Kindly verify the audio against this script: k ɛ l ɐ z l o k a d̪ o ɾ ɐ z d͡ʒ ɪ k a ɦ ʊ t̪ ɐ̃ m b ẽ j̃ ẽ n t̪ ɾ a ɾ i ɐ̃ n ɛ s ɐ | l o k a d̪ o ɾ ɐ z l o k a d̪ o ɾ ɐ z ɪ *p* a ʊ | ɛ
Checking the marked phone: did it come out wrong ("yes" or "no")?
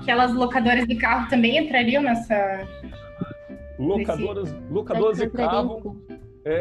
yes